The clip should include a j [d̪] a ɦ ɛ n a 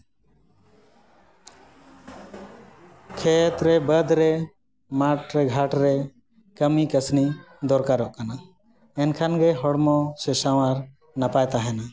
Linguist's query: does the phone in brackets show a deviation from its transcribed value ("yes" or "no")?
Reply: yes